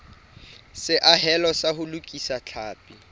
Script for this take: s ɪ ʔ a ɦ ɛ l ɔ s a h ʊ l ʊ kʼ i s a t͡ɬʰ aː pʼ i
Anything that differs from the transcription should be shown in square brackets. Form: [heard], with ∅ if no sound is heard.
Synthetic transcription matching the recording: s ɪ ʔ a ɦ ɛ l ɔ s a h ʊ l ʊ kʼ i s a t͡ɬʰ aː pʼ i